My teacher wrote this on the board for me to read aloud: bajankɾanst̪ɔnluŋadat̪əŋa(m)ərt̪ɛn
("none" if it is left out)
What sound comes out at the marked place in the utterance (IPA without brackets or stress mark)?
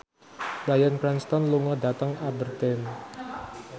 b